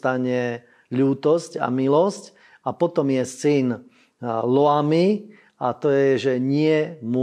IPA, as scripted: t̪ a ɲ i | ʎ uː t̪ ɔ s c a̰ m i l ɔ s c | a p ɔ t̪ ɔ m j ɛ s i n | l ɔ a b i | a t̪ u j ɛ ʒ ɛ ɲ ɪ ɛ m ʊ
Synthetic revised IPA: t̪ a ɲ ɛ | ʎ uː t̪ ɔ s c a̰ m i l ɔ s c | a p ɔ t̪ ɔ m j ɛ s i n | l ɔ a m i | a t̪ ɔ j ɛ ʒ ɛ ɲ ɪ ɛ m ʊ